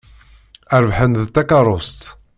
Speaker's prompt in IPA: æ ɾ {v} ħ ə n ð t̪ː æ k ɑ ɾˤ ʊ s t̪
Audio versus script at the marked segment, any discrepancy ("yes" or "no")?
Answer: no